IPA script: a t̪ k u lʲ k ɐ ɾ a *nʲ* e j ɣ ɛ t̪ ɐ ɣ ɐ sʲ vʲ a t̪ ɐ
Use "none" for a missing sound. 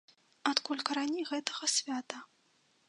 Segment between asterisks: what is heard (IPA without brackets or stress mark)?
nʲ